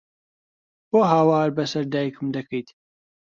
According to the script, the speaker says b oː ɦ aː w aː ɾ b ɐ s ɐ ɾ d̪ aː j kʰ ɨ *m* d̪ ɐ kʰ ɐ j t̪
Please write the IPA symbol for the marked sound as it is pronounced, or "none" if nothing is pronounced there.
m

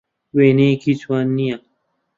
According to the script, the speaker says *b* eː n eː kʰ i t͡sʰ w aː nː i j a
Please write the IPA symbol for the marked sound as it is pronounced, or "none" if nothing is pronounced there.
w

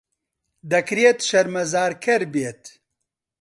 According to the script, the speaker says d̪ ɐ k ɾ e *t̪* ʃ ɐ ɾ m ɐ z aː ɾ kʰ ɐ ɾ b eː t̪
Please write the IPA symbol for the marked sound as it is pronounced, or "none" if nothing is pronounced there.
t̪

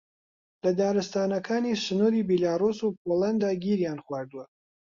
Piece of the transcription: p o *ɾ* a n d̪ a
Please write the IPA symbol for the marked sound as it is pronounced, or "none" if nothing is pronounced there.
l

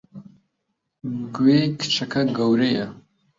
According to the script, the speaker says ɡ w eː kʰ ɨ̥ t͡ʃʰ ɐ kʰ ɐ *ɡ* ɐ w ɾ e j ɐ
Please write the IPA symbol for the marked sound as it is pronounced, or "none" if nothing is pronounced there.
ɡ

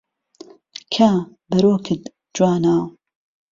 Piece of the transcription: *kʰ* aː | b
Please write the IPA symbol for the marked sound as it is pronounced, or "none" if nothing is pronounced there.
kʰ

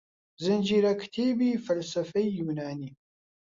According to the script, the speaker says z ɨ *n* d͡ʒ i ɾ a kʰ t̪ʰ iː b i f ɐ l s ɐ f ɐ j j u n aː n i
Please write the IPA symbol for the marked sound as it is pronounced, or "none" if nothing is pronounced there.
n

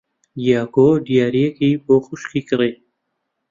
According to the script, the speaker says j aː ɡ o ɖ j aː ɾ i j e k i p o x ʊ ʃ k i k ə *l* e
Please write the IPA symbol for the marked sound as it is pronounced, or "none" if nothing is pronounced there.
ɾ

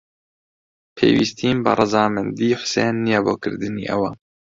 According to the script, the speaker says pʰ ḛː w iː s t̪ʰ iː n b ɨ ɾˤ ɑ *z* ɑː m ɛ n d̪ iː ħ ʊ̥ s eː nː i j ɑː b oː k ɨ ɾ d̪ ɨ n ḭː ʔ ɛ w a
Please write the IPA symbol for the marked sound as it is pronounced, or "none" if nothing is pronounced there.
z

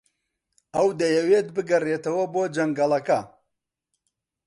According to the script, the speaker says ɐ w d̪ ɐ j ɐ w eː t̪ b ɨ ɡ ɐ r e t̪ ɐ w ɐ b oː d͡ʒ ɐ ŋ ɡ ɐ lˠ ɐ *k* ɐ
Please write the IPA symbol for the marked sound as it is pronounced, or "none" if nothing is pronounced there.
k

